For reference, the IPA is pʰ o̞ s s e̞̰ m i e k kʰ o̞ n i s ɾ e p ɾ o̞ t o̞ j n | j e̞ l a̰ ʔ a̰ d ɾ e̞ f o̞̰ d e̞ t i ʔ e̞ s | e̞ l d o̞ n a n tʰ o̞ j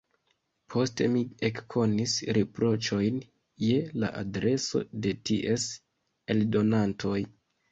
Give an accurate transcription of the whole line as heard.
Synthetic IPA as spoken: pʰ o̞ s t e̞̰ m i e k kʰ o̞ n i s ɾ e p ɾ o̞ t͡ʃ o̞ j n | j e̞ l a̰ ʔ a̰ d ɾ e̞ s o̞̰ d e̞ t i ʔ e̞ s | e̞ l d o̞ n a n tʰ o̞ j